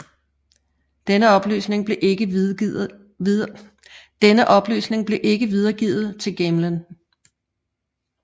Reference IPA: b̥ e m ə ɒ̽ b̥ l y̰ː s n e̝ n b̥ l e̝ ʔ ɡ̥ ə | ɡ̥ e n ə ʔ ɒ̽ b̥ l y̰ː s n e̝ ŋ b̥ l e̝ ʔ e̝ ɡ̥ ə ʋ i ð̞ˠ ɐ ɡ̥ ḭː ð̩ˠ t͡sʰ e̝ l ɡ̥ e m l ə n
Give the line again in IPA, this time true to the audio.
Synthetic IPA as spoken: d̥ e n ə ɒ̽ b̥ l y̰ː s n e̝ ŋ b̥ l e̝ ʔ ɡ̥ ə | d̥ e n ə ʔ ɒ̽ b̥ l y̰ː s n e̝ ŋ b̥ l e̝ ʔ e̝ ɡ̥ ə ʋ i ð̞ˠ ɐ ɡ̥ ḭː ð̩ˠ t͡sʰ e̝ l ɡ̥ e m l ə n